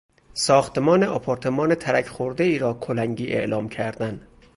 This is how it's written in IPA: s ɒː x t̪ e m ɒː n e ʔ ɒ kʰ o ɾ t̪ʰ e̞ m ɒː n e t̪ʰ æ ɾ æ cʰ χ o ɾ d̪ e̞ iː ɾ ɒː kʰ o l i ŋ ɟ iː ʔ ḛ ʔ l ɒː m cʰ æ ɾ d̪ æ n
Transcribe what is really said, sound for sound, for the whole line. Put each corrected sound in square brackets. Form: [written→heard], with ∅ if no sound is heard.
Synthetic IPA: s ɒː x t̪ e m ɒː n e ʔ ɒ [kʰ→pʰ] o ɾ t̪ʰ e̞ m ɒː n e t̪ʰ æ ɾ æ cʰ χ o ɾ d̪ e̞ iː ɾ ɒː kʰ o l [i→æ] ŋ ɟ iː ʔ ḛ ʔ l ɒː m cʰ æ ɾ d̪ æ n